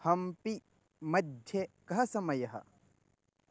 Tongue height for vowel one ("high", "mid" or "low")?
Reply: low